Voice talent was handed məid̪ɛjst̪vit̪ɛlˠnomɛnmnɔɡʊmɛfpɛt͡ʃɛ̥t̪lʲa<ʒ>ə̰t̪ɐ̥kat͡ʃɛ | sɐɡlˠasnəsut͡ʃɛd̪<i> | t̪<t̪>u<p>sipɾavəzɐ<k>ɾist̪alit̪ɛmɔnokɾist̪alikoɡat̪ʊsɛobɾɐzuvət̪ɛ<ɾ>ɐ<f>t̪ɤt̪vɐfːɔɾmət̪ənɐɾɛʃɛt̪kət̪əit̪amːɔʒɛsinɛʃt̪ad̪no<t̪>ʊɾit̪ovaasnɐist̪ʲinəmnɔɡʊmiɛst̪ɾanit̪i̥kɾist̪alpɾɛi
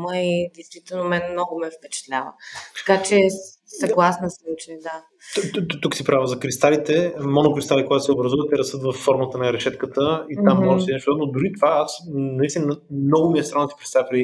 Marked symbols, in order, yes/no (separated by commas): no, no, yes, no, yes, yes, no, no